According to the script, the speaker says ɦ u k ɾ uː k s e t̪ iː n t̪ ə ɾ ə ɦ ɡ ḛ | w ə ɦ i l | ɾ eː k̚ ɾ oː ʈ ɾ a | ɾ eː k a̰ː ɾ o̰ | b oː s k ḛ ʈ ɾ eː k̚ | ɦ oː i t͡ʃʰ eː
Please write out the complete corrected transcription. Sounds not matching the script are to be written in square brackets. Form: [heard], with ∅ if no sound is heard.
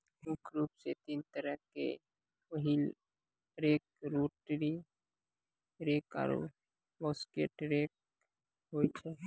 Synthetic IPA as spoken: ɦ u k ɾ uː [p] s e t̪ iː n t̪ ə ɾ ə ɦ [k] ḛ | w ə ɦ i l | ɾ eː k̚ ɾ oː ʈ ɾ [i] | ɾ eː k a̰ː ɾ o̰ | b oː s k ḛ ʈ ɾ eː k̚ | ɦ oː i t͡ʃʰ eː

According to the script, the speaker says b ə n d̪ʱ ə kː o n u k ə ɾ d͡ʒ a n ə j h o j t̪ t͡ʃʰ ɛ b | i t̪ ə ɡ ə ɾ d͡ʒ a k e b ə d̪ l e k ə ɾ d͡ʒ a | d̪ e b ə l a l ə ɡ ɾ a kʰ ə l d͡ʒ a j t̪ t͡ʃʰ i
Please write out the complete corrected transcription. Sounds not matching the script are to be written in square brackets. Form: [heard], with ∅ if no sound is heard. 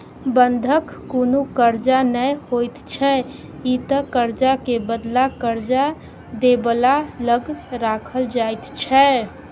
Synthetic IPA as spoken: b ə n d̪ʱ ə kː o n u k ə ɾ d͡ʒ a n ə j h o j t̪ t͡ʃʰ ɛ [∅] | i t̪ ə [k] ə ɾ d͡ʒ a k e b ə d̪ l [a] k ə ɾ d͡ʒ a | d̪ e b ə l a l ə ɡ ɾ a kʰ ə l d͡ʒ a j t̪ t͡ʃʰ [ɛ]

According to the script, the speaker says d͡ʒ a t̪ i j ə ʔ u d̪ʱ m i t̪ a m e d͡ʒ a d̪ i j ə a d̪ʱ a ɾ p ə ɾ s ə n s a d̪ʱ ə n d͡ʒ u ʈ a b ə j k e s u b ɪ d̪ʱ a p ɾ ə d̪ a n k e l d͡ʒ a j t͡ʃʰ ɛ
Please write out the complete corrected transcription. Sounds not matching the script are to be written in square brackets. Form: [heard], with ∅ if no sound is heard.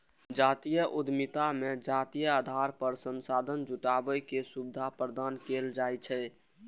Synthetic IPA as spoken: d͡ʒ a t̪ i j ə ʔ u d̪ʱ m i t̪ a m e d͡ʒ a [t̪] i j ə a d̪ʱ a ɾ p ə ɾ s ə n s a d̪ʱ ə n d͡ʒ u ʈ a b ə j k e s u b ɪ d̪ʱ a p ɾ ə d̪ a n k e l d͡ʒ a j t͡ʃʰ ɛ

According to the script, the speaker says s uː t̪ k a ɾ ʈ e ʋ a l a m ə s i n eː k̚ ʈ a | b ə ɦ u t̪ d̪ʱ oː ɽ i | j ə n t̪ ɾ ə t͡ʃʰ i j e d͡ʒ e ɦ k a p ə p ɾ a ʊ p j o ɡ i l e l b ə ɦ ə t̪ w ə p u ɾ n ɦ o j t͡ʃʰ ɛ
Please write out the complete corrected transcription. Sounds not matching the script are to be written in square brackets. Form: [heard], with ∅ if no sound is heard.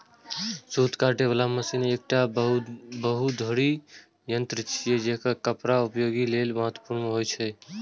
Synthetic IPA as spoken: s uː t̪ k a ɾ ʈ e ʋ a l a m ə s i n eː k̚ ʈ a | b ə ɦ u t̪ d̪ʱ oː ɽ i | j ə n t̪ ɾ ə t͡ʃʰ i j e d͡ʒ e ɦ k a [k] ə p ɾ a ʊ p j o ɡ i l e l [m] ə ɦ ə t̪ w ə p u ɾ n ɦ o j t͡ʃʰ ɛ

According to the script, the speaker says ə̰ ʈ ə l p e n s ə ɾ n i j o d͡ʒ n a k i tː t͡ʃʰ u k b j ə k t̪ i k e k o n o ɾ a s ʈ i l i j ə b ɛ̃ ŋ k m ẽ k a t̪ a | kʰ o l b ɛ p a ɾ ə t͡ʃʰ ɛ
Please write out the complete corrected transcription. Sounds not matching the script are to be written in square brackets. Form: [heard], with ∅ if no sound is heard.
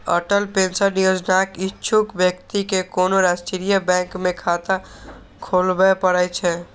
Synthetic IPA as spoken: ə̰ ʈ ə l p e n s ə ɾ n i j o d͡ʒ n a k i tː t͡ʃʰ u k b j ə k t̪ i k e k o n o ɾ a s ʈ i [ɾ] i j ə b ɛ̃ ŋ k m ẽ [kʰ] a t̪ a | kʰ o l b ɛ p [ə] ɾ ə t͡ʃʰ ɛ

